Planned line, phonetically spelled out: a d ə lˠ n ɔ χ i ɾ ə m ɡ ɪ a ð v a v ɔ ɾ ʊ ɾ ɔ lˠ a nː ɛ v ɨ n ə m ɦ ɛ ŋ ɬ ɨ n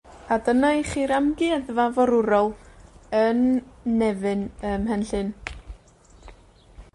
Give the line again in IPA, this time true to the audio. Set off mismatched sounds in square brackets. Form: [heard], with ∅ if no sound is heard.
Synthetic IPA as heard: a d ə [∅] n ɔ χ i ɾ [a] m ɡ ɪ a ð v a v ɔ ɾ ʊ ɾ ɔ lˠ [ə] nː ɛ v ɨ n ə m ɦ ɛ [n] ɬ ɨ n